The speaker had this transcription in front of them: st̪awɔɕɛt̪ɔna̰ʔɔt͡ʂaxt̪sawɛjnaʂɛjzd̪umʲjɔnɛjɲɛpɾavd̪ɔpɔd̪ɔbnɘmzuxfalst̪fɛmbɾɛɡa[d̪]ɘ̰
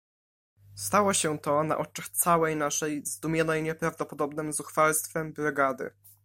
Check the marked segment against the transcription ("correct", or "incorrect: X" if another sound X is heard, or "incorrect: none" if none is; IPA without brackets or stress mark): correct